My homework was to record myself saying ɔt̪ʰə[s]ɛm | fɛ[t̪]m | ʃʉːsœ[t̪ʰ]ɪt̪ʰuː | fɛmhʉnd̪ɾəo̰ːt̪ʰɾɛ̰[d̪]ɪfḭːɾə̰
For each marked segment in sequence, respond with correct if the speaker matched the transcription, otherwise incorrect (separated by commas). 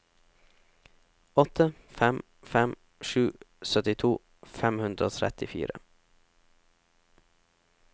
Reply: incorrect, incorrect, incorrect, incorrect